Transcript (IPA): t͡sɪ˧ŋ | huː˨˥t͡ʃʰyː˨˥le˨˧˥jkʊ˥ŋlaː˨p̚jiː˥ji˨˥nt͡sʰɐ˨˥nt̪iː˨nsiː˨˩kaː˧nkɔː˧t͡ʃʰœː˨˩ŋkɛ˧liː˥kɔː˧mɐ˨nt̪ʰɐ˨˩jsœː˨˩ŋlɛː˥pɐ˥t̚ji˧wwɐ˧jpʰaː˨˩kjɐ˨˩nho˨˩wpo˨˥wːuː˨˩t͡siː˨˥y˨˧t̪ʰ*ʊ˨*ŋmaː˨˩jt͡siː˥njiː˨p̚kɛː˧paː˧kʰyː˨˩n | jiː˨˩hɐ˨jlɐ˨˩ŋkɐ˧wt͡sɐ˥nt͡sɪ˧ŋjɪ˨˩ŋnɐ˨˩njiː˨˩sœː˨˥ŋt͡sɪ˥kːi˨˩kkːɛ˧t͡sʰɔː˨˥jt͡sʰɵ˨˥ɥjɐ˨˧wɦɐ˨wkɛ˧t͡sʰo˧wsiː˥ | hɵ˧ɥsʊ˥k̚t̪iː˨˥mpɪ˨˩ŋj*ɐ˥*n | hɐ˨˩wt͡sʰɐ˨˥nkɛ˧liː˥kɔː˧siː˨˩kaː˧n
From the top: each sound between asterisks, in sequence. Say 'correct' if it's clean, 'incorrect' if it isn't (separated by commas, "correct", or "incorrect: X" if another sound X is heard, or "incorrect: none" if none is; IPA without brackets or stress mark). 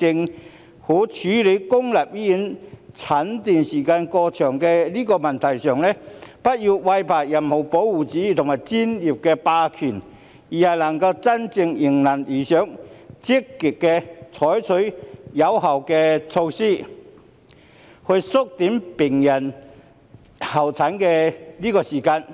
correct, incorrect: ɐ˨˩